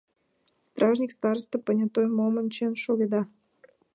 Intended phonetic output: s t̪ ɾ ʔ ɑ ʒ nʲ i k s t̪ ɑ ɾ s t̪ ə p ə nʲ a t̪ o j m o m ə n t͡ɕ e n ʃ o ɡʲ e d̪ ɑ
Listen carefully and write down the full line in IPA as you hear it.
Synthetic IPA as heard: s t̪ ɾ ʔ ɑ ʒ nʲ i k s t̪ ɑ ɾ s t̪ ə p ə nʲ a t̪ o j m o m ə n t͡ɕ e n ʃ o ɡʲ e d̪ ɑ